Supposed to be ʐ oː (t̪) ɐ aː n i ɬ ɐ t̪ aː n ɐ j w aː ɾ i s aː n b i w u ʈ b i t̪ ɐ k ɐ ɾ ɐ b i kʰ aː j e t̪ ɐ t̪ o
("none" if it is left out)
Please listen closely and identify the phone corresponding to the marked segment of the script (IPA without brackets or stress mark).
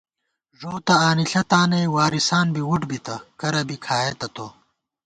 t̪